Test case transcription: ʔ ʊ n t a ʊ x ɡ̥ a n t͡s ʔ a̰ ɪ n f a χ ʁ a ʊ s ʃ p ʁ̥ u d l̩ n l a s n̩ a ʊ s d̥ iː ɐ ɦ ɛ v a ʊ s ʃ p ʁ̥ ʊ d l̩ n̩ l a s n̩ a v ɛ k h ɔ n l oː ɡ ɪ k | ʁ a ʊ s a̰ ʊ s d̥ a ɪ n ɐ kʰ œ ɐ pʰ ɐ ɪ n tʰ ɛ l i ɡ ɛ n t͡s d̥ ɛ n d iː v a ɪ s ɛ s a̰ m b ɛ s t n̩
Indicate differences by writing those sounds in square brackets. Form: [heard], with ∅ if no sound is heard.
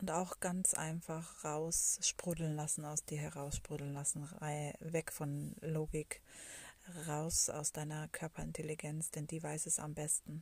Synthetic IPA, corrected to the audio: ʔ ʊ n t a ʊ x ɡ̥ a n t͡s ʔ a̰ ɪ n f a χ ʁ a ʊ s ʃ p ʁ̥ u d l̩ n l a s n̩ a ʊ s d̥ iː ɐ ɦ ɛ [ʁ] a ʊ s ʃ p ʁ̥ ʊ d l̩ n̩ l a s n̩ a v ɛ k [f] ɔ n l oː ɡ ɪ k | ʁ a ʊ s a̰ ʊ s d̥ a ɪ n ɐ kʰ œ ɐ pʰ ɐ ɪ n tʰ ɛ l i ɡ ɛ n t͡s d̥ ɛ n d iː v a ɪ s ɛ s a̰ m b ɛ s t n̩